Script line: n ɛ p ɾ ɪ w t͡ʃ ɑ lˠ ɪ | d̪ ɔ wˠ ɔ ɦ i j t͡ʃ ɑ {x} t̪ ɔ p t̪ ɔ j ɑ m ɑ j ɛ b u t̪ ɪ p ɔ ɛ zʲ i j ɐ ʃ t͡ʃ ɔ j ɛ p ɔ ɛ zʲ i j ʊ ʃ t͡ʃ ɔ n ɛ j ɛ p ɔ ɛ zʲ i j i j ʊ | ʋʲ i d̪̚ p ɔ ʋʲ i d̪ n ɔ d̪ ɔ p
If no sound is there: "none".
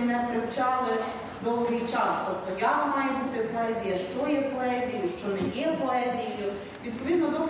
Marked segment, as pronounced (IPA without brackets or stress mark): s